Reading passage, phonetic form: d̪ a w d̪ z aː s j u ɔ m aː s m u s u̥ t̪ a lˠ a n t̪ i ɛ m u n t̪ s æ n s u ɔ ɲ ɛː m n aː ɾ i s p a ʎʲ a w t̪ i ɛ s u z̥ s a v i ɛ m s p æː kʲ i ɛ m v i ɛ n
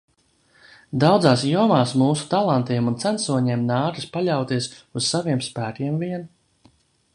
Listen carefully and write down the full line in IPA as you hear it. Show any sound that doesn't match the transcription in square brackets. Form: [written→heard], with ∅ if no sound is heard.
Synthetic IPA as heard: d̪ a w d̪ z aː s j u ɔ m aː s m [u→uː] s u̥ t̪ a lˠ a n t̪ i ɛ m u n t̪ s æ n s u ɔ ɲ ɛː m n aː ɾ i s p a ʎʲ a w t̪ i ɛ s u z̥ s a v i ɛ m s p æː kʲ i ɛ m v i ɛ n